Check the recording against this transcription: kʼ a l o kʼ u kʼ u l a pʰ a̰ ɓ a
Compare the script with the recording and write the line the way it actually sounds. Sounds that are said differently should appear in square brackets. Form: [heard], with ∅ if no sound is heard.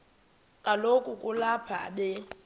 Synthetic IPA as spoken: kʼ a l o kʼ u kʼ u l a pʰ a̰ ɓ [ɛ]